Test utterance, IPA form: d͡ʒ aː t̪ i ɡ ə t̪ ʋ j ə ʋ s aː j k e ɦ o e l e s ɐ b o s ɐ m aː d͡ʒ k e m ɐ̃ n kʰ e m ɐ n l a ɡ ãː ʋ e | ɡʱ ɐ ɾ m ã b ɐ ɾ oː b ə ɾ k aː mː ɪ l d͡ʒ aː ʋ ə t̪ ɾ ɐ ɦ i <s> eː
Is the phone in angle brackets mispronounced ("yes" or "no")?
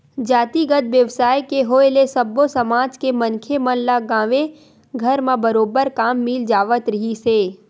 no